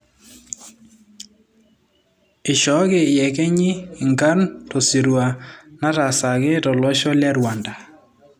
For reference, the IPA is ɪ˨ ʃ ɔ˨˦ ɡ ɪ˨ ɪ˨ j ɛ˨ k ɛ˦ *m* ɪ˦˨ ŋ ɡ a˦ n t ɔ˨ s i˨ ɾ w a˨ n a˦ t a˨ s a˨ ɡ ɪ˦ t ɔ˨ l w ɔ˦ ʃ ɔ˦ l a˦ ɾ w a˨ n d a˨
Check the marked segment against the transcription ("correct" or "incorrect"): incorrect